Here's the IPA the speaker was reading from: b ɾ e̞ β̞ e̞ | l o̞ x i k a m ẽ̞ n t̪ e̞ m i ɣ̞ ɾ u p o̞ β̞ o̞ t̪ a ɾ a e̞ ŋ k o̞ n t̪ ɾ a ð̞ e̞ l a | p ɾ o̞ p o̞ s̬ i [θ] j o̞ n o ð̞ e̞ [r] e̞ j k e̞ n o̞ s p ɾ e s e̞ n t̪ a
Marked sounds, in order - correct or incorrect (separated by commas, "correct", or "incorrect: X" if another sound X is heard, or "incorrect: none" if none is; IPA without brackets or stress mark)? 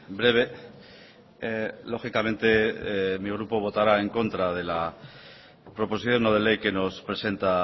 correct, incorrect: l